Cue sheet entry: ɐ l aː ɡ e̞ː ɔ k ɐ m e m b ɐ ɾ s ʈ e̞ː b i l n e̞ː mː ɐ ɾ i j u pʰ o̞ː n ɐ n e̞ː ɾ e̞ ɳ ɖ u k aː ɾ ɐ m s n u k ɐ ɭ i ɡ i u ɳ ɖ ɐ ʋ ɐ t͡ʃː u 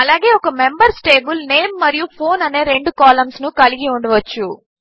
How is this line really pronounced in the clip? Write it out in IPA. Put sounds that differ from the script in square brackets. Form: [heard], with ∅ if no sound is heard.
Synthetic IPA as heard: ɐ l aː ɡ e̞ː ɔ k ɐ m e m b ɐ ɾ s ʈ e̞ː b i l n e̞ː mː ɐ ɾ i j u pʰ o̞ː n ɐ n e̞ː ɾ e̞ ɳ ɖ u k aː [l] ɐ m s n u k ɐ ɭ i ɡ i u ɳ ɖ ɐ ʋ ɐ t͡ʃː u